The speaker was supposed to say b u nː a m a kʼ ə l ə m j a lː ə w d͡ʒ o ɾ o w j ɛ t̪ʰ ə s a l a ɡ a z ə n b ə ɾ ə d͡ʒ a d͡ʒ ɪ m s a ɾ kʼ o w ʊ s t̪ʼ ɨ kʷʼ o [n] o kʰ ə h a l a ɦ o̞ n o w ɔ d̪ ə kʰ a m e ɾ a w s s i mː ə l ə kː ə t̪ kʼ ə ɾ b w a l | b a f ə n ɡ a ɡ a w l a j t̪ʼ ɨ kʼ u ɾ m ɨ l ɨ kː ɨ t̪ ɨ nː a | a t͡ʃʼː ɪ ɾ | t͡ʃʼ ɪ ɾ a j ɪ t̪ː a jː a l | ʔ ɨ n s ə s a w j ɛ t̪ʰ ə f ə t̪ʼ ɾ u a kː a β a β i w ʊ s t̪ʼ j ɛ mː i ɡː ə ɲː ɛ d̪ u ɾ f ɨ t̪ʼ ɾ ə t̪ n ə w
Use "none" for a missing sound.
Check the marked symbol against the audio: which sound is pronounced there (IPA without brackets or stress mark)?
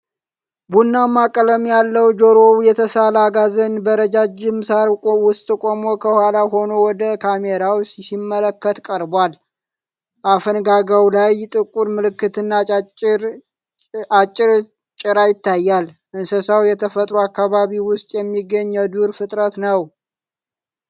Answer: m